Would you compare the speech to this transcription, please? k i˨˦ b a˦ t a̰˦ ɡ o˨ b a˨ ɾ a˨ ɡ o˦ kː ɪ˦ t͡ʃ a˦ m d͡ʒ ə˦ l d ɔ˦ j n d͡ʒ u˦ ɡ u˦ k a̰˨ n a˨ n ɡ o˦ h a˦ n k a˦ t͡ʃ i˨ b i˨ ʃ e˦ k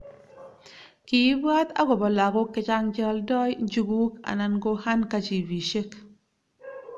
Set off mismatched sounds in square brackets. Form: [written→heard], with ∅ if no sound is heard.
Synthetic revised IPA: k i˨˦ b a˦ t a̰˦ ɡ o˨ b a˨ [ɾ→l] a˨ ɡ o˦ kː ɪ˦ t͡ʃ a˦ [m→ŋ] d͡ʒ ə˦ l d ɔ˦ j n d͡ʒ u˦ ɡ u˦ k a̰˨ n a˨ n ɡ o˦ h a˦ n k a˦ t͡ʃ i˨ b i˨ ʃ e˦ k